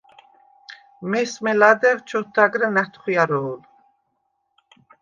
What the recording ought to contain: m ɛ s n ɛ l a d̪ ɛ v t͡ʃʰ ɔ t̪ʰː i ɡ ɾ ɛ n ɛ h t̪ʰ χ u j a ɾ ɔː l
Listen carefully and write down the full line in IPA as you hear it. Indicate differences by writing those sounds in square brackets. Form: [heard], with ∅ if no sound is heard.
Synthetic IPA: m ɛ s [m] ɛ l a d̪ ɛ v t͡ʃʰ ɔ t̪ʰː [a] ɡ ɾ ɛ n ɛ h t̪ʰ χ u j a ɾ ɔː l